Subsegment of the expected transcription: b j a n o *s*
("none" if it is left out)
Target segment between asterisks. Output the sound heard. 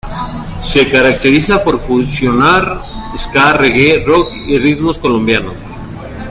s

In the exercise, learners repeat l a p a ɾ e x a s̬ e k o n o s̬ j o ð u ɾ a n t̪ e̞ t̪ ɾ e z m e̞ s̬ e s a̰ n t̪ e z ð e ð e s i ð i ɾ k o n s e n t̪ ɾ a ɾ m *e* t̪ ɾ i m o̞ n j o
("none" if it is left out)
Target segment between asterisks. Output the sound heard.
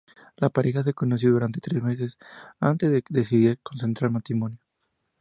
a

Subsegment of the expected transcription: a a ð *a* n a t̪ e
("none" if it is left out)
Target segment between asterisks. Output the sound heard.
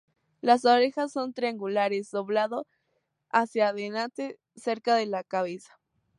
e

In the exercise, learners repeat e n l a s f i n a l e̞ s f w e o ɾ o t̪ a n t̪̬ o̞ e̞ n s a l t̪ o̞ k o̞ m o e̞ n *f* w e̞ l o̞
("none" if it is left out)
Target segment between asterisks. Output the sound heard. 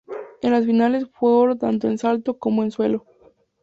s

